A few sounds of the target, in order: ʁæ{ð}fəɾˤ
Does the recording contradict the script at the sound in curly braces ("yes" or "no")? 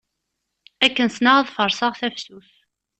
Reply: no